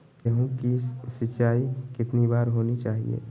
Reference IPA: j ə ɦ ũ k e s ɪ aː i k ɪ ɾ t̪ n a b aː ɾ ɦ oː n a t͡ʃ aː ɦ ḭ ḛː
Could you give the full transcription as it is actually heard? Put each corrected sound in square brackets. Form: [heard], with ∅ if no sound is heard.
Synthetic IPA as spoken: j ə ɦ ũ k [i] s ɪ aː i k ɪ [∅] t̪ n [i] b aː ɾ ɦ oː n [i] t͡ʃ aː ɦ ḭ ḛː